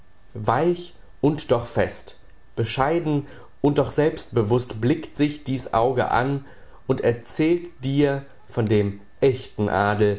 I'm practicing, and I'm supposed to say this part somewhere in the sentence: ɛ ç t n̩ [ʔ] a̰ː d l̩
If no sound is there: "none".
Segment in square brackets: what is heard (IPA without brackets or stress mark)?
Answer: ʔ